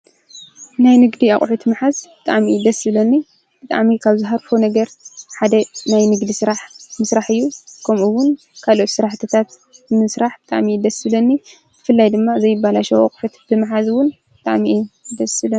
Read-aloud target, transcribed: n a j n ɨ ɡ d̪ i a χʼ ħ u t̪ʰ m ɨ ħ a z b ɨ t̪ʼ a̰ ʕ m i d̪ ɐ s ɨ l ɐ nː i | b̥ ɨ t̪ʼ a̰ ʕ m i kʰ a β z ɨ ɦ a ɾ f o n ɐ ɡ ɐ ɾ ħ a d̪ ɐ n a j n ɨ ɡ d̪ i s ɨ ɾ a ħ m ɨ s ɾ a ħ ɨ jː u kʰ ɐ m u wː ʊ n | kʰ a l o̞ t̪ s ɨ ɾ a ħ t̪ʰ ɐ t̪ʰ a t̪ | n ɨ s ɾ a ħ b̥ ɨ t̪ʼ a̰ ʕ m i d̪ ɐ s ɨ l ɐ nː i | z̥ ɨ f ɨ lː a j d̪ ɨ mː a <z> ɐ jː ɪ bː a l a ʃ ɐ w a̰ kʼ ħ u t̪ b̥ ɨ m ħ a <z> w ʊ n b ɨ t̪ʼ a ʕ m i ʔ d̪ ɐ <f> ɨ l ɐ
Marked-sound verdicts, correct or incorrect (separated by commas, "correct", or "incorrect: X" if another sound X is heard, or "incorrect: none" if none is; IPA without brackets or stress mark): correct, correct, incorrect: s